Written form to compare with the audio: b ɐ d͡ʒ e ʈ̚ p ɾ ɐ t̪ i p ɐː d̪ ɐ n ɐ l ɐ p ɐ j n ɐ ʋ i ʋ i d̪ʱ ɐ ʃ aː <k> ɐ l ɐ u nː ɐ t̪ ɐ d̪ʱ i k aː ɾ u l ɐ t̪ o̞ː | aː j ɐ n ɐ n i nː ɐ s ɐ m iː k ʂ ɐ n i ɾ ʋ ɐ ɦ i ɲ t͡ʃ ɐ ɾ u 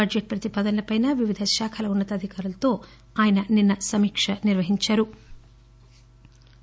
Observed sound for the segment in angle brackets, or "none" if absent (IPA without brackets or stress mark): kʰ